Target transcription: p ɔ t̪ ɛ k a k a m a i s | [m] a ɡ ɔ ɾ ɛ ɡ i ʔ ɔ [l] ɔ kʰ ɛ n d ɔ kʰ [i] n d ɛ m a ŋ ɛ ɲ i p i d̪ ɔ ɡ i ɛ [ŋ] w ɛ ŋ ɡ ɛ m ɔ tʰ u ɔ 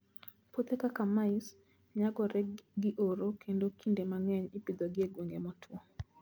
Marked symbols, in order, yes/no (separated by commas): no, no, yes, no